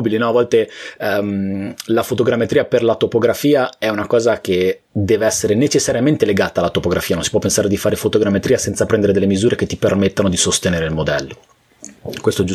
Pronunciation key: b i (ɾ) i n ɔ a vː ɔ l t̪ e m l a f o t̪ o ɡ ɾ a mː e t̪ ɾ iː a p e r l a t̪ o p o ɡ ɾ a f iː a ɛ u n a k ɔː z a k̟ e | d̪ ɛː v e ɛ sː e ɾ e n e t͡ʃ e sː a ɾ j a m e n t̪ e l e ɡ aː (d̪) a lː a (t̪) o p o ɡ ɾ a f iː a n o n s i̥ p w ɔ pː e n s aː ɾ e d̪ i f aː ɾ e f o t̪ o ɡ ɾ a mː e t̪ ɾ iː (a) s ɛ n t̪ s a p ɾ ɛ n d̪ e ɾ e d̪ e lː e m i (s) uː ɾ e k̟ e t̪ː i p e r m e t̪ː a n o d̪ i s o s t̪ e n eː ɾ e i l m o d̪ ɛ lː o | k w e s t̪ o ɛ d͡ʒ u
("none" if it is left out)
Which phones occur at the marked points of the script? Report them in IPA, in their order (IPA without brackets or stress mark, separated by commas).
l, t̪, t̪, a, z